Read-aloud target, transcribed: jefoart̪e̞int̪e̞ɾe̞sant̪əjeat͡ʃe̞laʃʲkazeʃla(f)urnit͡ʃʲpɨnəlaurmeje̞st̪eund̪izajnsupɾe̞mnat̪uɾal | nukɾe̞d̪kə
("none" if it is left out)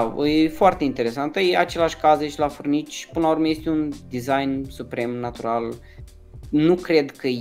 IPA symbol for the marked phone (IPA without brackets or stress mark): f